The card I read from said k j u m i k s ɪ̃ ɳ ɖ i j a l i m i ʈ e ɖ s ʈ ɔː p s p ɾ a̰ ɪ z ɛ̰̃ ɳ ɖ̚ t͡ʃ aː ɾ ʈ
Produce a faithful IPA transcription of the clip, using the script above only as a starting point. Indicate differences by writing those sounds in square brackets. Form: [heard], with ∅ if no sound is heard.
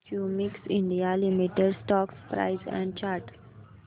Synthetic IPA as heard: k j u m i k s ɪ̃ ɳ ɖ i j a l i m i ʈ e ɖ s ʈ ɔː [k] s p ɾ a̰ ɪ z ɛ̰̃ ɳ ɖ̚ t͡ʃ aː ɾ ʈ